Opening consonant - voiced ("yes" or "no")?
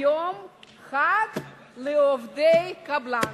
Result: yes